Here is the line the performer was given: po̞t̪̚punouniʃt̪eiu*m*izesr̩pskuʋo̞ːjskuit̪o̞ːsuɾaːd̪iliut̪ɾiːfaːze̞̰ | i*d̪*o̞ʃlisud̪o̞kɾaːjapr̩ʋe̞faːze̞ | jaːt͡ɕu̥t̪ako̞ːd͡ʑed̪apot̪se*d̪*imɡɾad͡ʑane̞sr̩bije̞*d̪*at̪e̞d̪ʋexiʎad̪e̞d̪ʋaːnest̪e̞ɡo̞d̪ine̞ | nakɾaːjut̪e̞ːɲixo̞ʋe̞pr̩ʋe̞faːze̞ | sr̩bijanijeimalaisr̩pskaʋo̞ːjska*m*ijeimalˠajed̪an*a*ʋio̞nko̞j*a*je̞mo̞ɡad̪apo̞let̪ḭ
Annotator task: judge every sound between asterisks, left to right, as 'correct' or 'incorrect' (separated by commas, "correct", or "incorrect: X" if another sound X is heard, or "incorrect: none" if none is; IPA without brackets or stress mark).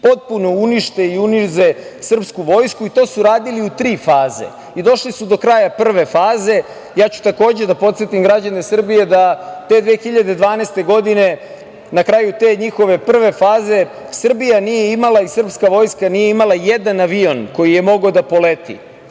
incorrect: n, correct, incorrect: t̪, correct, incorrect: n, correct, incorrect: i